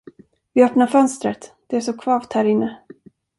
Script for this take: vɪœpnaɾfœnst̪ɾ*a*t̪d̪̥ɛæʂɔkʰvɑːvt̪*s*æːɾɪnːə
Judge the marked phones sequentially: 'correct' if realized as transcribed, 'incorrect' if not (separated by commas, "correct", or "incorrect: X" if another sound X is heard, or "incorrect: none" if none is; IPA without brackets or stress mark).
incorrect: ə, incorrect: h